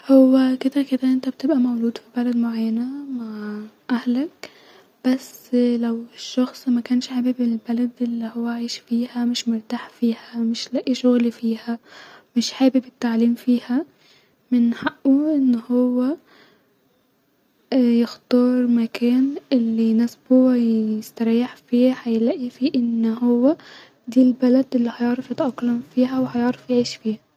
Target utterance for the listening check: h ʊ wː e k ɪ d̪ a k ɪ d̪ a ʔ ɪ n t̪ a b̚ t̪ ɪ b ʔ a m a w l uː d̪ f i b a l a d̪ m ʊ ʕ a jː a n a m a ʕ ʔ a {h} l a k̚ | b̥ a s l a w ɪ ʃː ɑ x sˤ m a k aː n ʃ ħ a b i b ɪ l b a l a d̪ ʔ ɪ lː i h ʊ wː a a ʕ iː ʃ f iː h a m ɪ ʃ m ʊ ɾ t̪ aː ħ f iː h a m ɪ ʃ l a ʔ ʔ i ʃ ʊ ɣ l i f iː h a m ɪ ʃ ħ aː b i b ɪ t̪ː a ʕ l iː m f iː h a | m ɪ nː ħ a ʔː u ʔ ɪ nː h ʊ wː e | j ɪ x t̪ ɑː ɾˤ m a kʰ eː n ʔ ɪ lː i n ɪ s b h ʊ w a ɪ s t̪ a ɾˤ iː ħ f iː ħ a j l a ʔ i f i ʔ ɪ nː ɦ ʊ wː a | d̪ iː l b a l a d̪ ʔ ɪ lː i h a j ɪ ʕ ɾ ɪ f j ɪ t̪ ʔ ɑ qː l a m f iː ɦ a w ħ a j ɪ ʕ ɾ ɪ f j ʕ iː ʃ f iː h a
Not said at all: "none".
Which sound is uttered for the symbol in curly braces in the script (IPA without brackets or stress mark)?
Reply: h